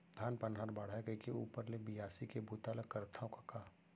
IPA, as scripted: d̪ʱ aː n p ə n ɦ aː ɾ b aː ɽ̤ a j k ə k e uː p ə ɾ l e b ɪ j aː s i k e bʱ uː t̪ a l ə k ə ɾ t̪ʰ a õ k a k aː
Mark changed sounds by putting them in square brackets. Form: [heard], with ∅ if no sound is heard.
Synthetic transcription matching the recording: d̪ʱ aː n p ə n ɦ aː ɾ b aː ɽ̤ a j k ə k e uː p ə ɾ l e b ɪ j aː s i k e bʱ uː t̪ a l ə k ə ɾ t̪ʰ a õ k a k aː